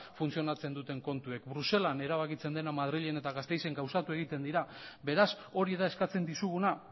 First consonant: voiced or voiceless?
voiceless